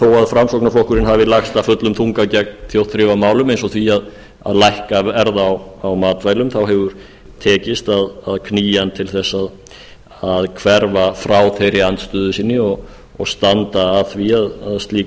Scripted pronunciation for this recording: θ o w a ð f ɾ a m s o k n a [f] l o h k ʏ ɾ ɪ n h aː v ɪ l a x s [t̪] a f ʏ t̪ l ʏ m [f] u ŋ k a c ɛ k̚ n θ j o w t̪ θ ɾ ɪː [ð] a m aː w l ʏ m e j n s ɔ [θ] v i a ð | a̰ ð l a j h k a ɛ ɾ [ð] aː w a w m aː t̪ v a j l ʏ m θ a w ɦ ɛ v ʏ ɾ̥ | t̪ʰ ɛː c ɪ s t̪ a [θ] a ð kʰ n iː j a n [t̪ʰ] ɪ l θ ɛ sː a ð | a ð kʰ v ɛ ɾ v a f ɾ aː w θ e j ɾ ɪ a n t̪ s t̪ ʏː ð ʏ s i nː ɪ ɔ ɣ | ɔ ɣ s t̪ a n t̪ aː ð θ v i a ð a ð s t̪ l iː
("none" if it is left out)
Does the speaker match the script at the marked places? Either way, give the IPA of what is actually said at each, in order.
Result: f, t̪, θ, v, θ, ð, ð, t̪ʰ

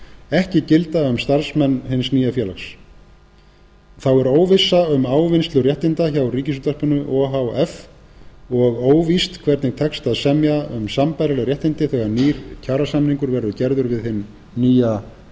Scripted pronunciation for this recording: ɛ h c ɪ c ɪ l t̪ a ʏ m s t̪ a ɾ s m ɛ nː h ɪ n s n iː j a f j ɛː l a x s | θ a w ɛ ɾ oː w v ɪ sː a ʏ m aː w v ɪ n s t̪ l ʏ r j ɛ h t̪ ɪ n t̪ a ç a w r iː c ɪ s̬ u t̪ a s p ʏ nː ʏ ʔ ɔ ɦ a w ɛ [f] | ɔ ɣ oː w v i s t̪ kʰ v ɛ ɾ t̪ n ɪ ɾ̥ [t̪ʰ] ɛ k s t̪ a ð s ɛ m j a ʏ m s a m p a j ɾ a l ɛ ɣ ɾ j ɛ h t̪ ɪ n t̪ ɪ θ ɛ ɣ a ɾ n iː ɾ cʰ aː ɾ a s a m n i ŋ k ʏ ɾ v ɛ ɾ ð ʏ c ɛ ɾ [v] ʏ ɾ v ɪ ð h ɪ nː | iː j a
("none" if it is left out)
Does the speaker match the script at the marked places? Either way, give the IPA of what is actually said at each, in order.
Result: f, t̪ʰ, ð

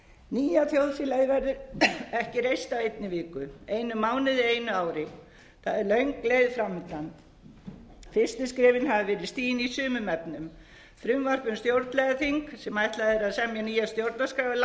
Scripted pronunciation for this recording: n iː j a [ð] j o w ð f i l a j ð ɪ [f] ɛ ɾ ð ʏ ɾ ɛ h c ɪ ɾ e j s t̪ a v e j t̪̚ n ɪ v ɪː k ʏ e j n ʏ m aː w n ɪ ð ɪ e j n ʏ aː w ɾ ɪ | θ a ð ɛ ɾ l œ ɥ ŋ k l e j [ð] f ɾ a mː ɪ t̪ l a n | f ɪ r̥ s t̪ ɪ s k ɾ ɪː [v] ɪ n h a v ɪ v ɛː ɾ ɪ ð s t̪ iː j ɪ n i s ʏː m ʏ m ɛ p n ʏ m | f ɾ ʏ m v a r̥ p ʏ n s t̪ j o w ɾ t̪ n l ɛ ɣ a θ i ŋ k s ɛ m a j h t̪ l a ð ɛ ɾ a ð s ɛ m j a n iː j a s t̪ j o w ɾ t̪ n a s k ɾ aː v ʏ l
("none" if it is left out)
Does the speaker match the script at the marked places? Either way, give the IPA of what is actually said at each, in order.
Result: θ, v, ð, v

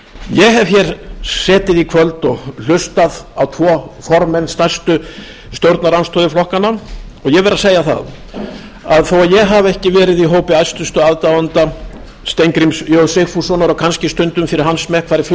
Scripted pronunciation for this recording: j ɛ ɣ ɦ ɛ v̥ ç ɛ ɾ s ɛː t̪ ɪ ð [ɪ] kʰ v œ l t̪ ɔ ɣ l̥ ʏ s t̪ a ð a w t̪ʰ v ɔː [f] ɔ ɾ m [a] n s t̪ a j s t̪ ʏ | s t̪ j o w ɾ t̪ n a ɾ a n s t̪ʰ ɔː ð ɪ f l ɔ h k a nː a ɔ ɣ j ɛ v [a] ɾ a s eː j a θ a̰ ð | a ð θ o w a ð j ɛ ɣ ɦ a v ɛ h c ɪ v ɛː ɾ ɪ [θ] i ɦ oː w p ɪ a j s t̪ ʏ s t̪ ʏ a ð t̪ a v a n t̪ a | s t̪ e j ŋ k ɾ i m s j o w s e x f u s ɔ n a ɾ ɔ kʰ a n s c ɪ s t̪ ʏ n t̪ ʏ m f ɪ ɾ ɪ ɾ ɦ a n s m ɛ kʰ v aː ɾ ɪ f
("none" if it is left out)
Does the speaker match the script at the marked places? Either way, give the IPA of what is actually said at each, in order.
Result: i, f, ɛ, ɛ, ð

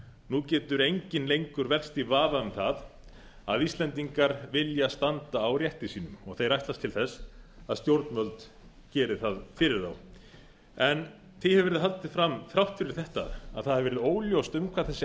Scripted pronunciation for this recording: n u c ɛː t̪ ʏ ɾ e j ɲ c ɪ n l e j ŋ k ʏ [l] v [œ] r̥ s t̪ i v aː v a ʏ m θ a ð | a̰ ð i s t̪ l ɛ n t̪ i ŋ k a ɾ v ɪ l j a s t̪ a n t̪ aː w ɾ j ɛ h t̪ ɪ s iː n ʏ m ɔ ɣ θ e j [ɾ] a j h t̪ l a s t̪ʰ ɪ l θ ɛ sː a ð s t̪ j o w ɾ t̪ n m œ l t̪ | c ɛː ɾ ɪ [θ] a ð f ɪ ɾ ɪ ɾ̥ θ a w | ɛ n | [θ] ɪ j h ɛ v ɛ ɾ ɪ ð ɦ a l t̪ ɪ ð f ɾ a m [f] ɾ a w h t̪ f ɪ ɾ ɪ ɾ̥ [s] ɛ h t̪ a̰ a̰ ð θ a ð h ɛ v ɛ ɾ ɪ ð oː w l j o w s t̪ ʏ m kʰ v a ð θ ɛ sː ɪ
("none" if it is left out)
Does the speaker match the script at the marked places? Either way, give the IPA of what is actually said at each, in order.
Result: ɾ, ɛ, ɾ, θ, θ, θ, θ

